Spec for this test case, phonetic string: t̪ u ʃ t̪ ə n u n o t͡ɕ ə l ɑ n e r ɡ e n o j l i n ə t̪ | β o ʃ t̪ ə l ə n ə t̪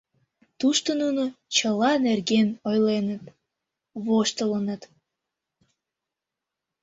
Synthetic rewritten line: t̪ u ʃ t̪ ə n u n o t͡ɕ ə l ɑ n e r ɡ e n o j l e n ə t̪ | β o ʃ t̪ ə l ə n ə t̪